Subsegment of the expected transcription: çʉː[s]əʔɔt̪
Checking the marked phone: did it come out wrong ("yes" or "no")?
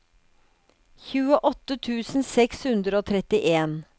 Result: yes